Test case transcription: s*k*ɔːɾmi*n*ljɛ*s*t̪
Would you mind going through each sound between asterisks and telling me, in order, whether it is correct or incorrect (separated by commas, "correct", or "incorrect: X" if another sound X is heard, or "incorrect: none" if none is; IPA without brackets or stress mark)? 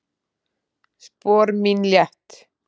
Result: incorrect: p, correct, incorrect: h